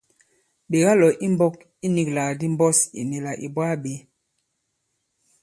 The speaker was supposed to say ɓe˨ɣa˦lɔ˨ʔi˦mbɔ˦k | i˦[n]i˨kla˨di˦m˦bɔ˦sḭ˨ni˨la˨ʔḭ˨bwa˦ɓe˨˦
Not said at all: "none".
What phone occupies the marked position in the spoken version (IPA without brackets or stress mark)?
n